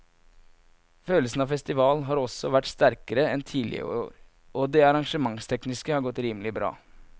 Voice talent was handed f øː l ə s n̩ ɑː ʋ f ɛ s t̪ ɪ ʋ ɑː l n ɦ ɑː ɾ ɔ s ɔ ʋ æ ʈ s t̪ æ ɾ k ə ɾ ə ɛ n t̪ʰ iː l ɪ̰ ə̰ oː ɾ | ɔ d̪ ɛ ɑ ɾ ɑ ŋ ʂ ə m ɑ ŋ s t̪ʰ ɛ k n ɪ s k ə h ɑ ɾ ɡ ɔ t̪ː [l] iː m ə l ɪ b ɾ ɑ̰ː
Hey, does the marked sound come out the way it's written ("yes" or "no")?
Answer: no